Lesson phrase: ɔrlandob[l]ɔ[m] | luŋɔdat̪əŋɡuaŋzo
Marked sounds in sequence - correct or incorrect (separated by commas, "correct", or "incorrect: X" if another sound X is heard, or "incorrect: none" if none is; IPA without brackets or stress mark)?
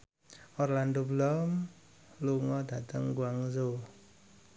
correct, correct